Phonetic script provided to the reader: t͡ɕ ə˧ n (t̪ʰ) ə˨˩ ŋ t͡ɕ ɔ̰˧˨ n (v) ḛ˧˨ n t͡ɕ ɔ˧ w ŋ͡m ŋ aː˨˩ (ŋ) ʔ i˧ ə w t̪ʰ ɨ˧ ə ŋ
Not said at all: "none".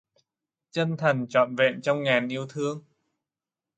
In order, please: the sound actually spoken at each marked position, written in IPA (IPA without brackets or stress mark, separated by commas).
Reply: t̪ʰ, v, n